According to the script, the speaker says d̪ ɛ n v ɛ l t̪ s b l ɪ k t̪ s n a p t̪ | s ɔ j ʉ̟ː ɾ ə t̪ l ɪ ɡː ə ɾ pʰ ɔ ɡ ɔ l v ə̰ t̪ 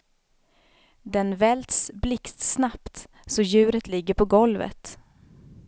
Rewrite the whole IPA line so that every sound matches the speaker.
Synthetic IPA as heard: d̪ ɛ n v ɛ l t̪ s b l ɪ k t̪ s n a p t̪ | s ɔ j ʉ̟ː ɾ ə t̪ l ɪ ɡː ə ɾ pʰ ɔ ɡ ɔ l v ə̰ t̪